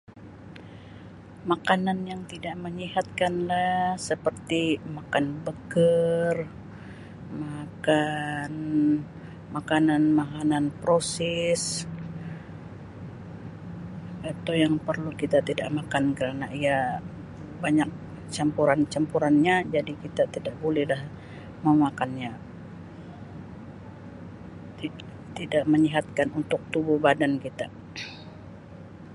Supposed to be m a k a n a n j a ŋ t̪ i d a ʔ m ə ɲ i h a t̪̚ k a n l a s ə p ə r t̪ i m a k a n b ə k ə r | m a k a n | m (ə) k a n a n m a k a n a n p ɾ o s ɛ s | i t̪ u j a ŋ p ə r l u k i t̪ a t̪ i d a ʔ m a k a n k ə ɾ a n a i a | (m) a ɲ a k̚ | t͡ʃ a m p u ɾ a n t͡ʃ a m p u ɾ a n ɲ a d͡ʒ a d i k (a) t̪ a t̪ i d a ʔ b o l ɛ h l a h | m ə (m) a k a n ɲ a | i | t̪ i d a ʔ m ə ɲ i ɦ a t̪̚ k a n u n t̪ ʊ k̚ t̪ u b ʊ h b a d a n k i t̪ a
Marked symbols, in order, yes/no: no, no, no, yes

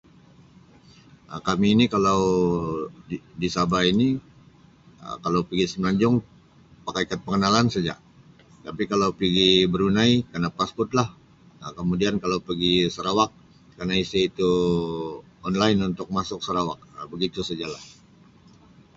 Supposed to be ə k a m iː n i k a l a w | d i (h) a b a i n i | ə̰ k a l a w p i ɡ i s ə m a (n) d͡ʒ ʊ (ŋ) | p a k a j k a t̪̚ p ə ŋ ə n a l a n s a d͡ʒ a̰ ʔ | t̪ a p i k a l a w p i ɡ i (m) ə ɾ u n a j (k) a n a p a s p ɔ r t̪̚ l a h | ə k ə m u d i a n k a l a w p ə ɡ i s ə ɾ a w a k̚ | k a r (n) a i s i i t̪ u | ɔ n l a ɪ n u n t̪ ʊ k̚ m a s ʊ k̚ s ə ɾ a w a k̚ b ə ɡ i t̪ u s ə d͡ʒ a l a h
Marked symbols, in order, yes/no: no, no, yes, no, yes, yes

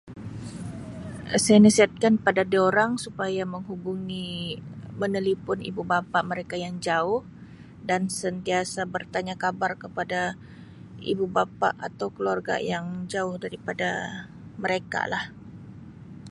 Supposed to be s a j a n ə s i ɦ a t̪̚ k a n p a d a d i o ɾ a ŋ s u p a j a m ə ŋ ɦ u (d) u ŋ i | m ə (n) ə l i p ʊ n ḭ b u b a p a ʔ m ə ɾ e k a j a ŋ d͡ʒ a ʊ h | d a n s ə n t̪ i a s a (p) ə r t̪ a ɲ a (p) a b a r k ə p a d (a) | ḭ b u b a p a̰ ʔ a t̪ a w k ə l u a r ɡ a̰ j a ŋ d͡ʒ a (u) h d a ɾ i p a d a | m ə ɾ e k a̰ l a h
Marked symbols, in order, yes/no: no, yes, no, no, yes, no

